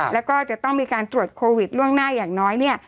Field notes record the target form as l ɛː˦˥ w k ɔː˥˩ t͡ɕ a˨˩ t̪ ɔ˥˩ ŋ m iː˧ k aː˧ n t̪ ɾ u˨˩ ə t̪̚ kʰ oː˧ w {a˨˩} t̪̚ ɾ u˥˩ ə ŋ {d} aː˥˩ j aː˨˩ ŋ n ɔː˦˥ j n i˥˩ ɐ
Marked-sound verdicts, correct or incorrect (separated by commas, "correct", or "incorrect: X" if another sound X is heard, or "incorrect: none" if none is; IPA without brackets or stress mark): incorrect: i˨˩, incorrect: n